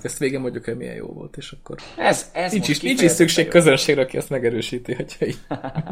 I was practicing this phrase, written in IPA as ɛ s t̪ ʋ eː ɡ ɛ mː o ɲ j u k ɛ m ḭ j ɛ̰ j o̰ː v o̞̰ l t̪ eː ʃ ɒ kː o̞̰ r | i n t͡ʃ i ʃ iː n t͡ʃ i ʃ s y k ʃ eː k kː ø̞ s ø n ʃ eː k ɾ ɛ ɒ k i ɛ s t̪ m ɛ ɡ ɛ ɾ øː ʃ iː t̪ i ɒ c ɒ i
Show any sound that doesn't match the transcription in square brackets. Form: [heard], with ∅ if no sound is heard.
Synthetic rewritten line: ɛ s t̪ ʋ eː ɡ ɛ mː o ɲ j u k ɛ m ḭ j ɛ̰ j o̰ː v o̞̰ l t̪ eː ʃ ɒ kː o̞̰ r | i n t͡ʃ i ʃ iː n t͡ʃ i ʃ s y k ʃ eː k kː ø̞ [z] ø n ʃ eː [ɡ] ɾ ɛ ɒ k i ɛ s t̪ m ɛ ɡ ɛ ɾ øː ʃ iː t̪ i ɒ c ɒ i